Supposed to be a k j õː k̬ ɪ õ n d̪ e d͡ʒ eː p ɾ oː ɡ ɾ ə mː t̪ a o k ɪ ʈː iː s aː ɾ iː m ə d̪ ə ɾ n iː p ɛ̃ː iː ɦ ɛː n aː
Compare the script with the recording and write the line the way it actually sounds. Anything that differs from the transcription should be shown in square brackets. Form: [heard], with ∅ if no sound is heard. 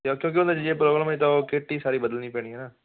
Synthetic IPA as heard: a k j õː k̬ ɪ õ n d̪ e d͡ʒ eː p ɾ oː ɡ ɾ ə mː t̪ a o k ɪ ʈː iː s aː ɾ iː [b] ə d̪ ə [l] n iː p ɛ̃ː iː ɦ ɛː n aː